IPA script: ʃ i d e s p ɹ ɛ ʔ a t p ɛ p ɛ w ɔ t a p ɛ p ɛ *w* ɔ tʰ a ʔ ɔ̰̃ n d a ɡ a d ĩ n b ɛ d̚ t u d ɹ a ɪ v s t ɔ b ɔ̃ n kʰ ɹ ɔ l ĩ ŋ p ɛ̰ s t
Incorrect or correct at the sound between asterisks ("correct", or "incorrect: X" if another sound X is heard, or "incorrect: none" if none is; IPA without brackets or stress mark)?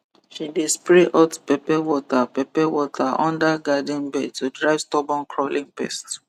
correct